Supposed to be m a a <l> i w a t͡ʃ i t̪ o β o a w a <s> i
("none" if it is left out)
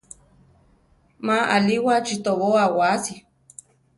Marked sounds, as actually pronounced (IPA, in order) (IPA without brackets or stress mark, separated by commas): l, s